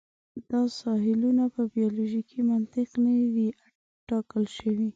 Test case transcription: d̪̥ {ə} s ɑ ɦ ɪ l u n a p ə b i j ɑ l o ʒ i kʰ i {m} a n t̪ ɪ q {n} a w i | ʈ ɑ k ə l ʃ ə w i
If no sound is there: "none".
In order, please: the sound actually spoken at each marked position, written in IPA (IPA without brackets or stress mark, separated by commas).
ɑ, m, n